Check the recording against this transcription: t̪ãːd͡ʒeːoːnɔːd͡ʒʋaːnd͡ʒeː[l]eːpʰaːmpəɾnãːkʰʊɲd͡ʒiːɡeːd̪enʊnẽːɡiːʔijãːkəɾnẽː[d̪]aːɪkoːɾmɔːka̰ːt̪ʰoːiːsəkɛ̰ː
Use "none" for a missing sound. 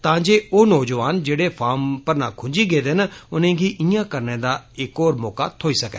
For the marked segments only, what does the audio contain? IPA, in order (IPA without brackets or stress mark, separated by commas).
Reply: ɽ, d̪